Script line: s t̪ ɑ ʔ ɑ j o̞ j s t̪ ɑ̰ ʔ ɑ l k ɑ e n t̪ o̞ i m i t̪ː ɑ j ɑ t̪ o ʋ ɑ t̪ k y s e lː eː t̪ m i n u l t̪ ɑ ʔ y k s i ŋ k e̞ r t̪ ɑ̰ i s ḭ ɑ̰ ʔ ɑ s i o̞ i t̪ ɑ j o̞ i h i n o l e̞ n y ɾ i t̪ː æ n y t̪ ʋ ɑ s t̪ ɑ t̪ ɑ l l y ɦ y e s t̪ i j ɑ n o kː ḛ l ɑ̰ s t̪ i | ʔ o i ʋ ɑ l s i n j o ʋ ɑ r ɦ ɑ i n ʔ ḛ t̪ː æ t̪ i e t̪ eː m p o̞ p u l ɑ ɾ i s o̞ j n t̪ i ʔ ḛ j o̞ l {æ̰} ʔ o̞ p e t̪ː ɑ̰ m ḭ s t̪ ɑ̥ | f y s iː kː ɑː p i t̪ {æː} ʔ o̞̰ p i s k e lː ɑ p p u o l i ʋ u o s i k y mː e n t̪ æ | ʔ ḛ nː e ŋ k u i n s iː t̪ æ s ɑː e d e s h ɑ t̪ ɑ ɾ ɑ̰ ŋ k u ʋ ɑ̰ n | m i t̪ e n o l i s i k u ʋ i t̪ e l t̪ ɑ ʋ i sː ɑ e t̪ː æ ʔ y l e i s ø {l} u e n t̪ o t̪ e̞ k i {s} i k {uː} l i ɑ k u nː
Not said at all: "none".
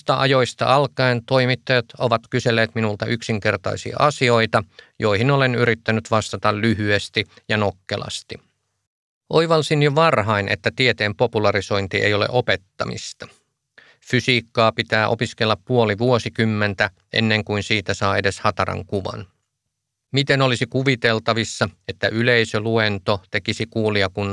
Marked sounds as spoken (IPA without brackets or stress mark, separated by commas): ḛ, æː, l, s, uː